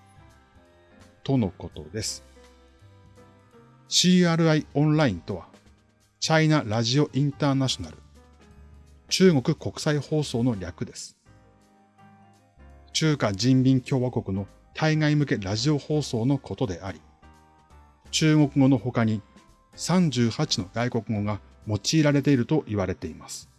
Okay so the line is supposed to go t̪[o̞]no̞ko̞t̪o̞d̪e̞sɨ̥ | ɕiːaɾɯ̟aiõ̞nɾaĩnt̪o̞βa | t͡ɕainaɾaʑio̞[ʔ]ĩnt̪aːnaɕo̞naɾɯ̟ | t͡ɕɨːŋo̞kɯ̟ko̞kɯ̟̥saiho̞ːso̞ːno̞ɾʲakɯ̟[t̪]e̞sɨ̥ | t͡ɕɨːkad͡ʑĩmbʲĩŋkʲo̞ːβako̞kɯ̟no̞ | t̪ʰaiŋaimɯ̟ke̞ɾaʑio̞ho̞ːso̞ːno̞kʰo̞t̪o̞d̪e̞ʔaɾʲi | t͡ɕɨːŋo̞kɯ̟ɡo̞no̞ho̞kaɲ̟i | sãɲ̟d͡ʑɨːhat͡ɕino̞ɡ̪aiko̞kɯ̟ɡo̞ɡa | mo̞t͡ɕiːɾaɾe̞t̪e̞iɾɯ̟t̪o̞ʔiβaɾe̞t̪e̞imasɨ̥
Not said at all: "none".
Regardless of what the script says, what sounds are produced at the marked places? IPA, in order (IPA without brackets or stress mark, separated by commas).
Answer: o̞, ʔ, d̪